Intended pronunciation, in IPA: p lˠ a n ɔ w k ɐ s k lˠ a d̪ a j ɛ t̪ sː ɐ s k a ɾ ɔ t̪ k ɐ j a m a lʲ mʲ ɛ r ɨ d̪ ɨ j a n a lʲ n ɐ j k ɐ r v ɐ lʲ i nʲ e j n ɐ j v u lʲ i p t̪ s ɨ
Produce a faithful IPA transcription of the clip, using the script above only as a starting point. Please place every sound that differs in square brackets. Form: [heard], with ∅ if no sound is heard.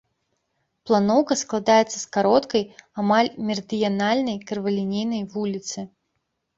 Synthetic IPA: p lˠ a n ɔ w k ɐ s k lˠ a d̪ a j ɛ t̪ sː ɐ s k a ɾ ɔ t̪ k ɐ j a m a lʲ mʲ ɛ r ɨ d̪ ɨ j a n a lʲ n ɐ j k ɐ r v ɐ lʲ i nʲ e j n ɐ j v u lʲ i [∅] t̪ s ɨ